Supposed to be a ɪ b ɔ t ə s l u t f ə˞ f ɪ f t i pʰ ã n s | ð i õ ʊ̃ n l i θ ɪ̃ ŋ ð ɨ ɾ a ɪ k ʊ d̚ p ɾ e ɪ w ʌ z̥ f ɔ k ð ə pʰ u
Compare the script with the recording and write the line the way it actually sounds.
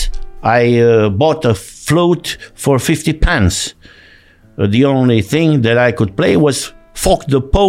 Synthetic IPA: a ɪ b ɔ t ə f l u t f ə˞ f ɪ f t i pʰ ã n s | ð i õ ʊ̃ n l i θ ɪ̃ ŋ ð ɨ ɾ a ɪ k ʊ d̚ p l e ɪ w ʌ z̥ f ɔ k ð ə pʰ o